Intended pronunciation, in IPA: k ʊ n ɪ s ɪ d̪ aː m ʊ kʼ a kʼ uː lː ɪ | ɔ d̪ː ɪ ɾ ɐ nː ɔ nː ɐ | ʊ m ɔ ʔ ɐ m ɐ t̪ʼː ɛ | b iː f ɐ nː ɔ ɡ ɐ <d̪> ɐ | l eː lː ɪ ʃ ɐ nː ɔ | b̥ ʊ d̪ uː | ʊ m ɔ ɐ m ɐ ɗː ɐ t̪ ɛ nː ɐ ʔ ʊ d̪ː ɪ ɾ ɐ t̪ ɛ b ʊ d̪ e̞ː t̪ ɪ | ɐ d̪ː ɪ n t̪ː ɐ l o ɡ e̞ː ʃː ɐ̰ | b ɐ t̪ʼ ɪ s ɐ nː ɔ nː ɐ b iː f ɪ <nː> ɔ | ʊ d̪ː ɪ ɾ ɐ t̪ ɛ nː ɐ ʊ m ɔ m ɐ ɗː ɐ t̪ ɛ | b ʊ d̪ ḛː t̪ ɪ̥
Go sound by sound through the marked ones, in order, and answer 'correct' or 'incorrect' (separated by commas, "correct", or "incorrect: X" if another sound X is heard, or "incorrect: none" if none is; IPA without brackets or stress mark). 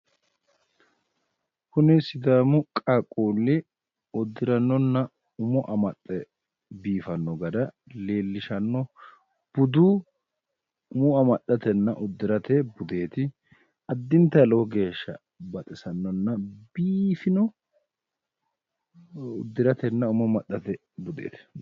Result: correct, incorrect: n